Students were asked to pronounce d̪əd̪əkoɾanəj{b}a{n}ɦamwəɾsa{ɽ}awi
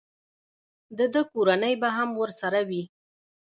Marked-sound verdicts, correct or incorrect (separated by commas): correct, incorrect, incorrect